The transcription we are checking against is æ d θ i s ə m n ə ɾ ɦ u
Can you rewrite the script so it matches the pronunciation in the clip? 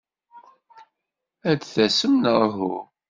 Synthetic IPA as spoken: æ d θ æ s ə m n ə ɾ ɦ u